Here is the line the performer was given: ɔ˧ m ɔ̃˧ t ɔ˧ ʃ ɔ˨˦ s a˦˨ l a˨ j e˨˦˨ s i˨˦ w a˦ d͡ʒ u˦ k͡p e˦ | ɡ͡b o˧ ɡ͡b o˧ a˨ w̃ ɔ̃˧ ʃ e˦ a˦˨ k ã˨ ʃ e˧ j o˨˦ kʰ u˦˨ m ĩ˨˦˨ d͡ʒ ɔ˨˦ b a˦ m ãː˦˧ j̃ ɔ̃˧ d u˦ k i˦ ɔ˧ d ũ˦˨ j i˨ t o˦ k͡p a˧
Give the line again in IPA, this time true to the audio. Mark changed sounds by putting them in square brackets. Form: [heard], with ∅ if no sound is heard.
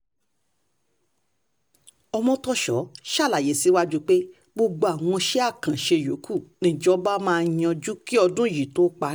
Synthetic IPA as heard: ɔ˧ m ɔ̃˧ t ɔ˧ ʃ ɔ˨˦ [ʃ] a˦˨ l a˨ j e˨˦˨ s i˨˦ w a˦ d͡ʒ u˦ k͡p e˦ | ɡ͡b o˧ ɡ͡b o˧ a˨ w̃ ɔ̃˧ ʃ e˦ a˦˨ k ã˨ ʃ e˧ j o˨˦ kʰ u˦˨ [n] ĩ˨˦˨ d͡ʒ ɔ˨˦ b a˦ m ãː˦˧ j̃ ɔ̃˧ [d͡ʒ] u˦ k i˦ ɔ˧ d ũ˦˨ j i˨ t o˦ k͡p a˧